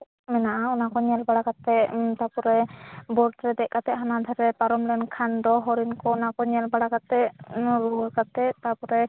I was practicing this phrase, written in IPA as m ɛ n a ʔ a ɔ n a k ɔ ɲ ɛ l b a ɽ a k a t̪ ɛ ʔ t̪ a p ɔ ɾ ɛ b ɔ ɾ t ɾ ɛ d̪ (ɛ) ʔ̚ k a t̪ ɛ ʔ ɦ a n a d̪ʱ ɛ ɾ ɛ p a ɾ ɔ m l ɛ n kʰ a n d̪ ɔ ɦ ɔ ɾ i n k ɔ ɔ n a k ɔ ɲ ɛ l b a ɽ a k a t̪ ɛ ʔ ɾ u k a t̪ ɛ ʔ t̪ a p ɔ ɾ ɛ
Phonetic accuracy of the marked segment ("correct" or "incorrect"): correct